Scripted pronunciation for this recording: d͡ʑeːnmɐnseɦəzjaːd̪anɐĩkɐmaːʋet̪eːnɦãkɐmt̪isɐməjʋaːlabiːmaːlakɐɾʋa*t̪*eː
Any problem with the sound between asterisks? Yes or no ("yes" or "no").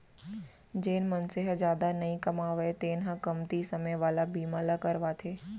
yes